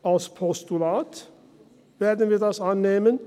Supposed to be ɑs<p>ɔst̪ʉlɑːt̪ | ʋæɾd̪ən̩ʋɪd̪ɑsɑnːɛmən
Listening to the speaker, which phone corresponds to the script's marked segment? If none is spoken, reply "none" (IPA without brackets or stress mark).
pʰ